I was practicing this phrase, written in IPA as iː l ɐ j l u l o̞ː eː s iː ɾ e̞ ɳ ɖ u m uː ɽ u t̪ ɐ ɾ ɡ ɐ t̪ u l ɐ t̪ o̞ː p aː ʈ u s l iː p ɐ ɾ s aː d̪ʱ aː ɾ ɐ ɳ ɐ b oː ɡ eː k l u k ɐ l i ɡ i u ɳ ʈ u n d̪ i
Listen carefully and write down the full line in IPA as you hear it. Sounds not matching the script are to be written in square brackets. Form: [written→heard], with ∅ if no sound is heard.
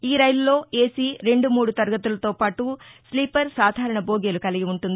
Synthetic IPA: iː [l→ɾ] ɐ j l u l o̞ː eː s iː ɾ e̞ ɳ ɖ u m uː ɽ u t̪ ɐ ɾ ɡ ɐ t̪ u l ɐ t̪ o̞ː p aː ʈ u s l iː p ɐ ɾ s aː d̪ʱ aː ɾ ɐ ɳ ɐ b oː ɡ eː [k→∅] l u k ɐ l i ɡ i u ɳ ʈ u n d̪ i

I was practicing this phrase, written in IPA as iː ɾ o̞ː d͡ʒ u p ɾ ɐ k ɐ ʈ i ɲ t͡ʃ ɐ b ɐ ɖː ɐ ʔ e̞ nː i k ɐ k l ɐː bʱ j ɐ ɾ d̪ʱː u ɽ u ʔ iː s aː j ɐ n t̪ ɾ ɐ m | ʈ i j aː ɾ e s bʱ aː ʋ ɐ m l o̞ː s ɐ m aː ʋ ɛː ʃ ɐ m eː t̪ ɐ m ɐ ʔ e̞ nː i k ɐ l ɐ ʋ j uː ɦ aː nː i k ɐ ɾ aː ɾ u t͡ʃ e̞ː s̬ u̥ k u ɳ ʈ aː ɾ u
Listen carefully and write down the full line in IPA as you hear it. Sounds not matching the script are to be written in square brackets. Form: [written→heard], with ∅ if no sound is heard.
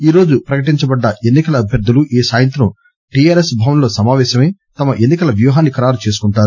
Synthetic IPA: iː ɾ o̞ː d͡ʒ u p ɾ ɐ k ɐ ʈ i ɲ t͡ʃ ɐ b ɐ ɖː ɐ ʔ e̞ nː i k ɐ [k→∅] l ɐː bʱ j ɐ ɾ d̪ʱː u [ɽ→l] u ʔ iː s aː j ɐ n t̪ ɾ ɐ m | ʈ i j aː ɾ e s bʱ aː ʋ ɐ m l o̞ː s ɐ m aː ʋ ɛː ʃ ɐ m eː t̪ ɐ m ɐ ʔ e̞ nː i k ɐ l ɐ ʋ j uː ɦ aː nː i k ɐ ɾ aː ɾ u t͡ʃ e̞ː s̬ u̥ k u ɳ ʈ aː ɾ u

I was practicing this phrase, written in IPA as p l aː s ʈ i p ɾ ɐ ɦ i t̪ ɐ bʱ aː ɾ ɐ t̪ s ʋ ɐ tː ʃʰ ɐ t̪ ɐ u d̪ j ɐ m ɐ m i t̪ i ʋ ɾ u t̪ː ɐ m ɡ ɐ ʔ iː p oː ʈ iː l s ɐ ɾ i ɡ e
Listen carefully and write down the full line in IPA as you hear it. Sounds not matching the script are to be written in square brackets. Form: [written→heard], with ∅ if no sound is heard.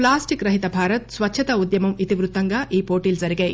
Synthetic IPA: p l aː s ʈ i [p→k] ɾ ɐ ɦ i t̪ ɐ bʱ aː ɾ ɐ t̪ s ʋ ɐ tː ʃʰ ɐ t̪ ɐ u d̪ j ɐ m ɐ m i t̪ i ʋ ɾ u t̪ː ɐ [m→ŋ] ɡ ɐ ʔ iː p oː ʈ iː l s ɐ ɾ i ɡ e

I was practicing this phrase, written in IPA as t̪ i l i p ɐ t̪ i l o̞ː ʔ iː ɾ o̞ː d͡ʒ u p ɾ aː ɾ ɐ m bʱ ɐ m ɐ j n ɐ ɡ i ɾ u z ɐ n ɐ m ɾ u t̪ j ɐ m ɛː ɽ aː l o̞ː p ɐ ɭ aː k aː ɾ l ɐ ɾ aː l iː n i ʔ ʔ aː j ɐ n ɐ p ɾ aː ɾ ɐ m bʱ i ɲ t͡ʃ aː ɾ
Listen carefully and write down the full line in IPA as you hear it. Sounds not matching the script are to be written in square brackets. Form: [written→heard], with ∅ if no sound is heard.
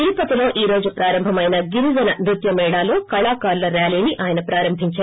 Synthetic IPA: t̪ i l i p ɐ t̪ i l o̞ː ʔ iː ɾ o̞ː d͡ʒ u p ɾ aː ɾ ɐ m bʱ ɐ m ɐ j n ɐ ɡ i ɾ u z ɐ n ɐ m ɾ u t̪ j ɐ m ɛː ɽ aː l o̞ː [p→k] ɐ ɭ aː k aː ɾ l ɐ ɾ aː l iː n i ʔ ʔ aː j ɐ n ɐ p ɾ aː ɾ ɐ m bʱ i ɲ t͡ʃ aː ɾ

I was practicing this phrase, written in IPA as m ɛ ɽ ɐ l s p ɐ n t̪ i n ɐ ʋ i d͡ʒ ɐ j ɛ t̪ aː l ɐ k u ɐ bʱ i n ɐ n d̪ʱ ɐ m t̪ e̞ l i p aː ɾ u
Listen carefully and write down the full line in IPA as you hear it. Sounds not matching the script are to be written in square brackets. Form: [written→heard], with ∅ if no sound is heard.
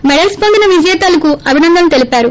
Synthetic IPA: m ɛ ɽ ɐ l s p ɐ n [t̪→d̪] i n ɐ ʋ i d͡ʒ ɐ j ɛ t̪ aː l ɐ k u ɐ bʱ i n ɐ n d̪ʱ ɐ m t̪ e̞ l i p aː ɾ u

